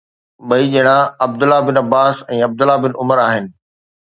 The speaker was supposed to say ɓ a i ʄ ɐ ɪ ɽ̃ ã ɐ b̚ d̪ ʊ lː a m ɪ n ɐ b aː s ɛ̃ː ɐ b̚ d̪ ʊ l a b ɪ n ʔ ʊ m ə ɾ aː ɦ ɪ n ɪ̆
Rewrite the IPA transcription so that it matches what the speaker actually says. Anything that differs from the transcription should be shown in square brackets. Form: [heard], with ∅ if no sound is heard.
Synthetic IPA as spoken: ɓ [ɐ] i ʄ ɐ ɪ ɽ̃ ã ɐ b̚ d̪ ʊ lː a [b] ɪ n ɐ b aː s ɛ̃ː ɐ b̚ d̪ ʊ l a b ɪ n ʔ ʊ m ə ɾ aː ɦ ɪ n ɪ̆